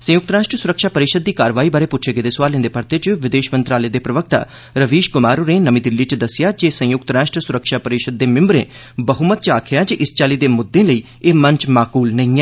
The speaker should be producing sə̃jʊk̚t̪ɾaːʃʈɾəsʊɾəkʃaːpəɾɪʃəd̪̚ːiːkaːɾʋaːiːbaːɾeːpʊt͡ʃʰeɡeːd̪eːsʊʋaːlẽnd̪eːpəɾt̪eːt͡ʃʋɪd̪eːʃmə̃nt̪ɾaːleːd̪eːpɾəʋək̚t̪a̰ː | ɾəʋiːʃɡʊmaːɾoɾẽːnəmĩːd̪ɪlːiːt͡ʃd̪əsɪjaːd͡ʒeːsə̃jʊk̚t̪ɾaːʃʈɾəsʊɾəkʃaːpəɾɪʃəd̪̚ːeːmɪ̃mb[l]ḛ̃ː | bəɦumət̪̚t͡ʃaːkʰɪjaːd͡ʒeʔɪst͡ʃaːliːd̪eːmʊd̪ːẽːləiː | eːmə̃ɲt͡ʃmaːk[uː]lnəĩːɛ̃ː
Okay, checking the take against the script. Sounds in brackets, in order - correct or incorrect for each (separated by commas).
incorrect, correct